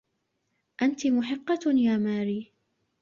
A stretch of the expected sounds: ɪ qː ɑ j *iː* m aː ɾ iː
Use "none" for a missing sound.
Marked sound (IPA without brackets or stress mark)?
aː